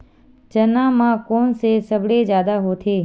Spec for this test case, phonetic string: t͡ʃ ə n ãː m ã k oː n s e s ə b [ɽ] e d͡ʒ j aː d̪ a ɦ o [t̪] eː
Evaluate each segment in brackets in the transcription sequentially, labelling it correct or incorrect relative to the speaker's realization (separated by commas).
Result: correct, incorrect